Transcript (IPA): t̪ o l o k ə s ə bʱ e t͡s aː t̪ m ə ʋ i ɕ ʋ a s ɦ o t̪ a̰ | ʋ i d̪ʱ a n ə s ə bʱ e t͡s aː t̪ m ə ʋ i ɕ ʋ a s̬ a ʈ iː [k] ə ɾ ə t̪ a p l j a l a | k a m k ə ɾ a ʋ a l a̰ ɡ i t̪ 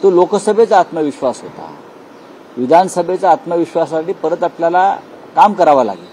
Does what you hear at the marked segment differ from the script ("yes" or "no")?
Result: yes